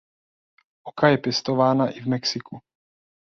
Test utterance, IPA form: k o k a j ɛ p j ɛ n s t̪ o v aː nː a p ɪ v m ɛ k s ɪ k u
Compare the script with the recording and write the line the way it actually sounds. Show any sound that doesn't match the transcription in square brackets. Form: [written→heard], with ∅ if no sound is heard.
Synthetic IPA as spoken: [k→ʔ] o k a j ɛ p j ɛ [n→∅] s t̪ o v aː [nː→n] a [p→ʔ] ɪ v m ɛ k s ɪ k u